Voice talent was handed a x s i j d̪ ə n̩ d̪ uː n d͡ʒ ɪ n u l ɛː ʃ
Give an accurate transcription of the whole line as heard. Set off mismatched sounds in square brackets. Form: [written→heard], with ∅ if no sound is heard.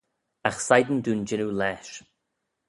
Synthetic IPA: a x s [i→a] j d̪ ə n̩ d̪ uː n d͡ʒ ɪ n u l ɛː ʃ